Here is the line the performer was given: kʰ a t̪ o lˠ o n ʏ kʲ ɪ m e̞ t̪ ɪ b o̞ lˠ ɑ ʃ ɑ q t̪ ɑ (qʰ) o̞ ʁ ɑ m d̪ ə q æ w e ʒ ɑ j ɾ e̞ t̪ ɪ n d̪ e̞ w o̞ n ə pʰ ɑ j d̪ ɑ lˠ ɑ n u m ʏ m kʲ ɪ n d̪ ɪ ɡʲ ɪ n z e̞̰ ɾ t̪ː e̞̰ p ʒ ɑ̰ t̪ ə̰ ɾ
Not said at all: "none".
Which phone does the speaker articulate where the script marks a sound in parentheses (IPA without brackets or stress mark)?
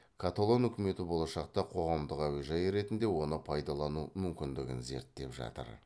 qʰ